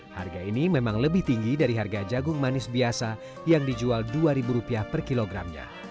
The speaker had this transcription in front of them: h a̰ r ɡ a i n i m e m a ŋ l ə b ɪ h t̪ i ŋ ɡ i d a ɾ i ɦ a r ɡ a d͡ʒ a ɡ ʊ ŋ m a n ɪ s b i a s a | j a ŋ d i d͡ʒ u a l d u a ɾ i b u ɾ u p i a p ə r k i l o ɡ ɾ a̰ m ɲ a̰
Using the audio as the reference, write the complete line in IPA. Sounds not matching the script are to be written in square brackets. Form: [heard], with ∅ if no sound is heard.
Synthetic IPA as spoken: h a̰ r ɡ a i n i m e m a ŋ l ə b ɪ h t̪ i ŋ ɡ i d a ɾ i ɦ a r ɡ a d͡ʒ a ɡ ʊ ŋ m a n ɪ s b i a s a | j a ŋ d i d͡ʒ u a l d u a ɾ i b u ɾ u p i a p ə r k i l o ɡ ɾ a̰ m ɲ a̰